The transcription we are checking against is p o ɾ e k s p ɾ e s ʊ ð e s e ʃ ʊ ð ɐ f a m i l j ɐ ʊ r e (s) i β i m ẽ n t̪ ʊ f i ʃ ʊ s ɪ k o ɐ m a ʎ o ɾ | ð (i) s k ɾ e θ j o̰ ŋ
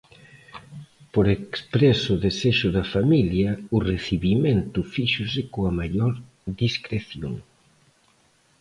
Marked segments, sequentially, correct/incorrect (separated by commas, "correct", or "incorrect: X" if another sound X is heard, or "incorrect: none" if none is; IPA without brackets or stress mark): incorrect: θ, correct